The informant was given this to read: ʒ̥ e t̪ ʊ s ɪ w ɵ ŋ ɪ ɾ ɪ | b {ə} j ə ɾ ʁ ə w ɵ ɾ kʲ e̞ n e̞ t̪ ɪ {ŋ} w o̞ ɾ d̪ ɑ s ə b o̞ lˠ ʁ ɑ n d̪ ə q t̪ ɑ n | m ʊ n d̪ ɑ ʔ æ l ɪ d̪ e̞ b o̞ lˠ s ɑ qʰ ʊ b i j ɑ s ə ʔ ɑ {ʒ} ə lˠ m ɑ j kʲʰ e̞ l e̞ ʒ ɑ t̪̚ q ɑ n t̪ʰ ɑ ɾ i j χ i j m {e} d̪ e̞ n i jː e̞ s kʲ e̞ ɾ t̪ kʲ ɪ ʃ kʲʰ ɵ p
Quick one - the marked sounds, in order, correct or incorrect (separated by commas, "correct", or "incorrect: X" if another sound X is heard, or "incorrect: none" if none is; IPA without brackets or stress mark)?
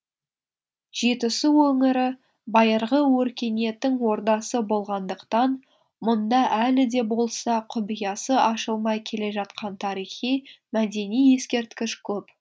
incorrect: ɑ, correct, incorrect: ʃ, incorrect: æ